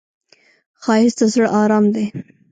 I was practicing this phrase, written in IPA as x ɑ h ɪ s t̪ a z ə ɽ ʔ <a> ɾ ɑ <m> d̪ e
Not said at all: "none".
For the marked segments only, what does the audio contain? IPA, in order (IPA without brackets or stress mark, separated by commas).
ɑ, m